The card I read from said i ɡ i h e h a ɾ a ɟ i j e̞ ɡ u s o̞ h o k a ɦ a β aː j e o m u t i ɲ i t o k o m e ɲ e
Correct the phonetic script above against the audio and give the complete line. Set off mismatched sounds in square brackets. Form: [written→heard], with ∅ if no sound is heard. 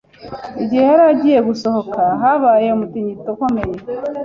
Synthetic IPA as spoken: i [ɡ→ɟ] i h e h a ɾ a ɟ i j e̞ ɡ u s o̞ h o k a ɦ a β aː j e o m u t i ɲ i t o k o m e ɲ e